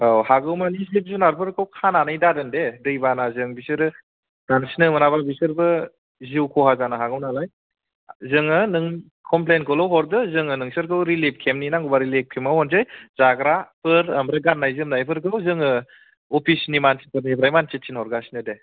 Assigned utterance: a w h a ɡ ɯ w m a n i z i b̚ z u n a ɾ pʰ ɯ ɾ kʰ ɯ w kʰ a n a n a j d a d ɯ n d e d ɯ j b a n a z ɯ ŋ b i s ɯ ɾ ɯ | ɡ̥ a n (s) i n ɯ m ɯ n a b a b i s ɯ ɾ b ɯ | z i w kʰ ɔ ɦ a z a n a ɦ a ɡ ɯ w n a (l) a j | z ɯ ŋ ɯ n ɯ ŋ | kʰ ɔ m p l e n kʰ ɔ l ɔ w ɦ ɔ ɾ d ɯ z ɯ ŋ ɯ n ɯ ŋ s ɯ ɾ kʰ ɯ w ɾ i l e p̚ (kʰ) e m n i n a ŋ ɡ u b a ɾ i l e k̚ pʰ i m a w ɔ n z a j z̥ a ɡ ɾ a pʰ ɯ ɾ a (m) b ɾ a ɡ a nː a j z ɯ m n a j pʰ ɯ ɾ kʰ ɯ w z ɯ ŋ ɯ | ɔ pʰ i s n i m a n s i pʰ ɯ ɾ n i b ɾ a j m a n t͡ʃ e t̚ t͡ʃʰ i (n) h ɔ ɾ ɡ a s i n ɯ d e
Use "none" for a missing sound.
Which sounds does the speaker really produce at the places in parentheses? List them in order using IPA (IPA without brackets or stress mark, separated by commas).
s, l, kʰ, m, n